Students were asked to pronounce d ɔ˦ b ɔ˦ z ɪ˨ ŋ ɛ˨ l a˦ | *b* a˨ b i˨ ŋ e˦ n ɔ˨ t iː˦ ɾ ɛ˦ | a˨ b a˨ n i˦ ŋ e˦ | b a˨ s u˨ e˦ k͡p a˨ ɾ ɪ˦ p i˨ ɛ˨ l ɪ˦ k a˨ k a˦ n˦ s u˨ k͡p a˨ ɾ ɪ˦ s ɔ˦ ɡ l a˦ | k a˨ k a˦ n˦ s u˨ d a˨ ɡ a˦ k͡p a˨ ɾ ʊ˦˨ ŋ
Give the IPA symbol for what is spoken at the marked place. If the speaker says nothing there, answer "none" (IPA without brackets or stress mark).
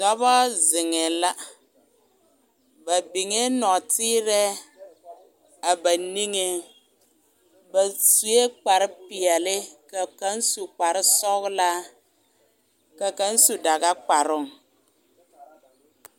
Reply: b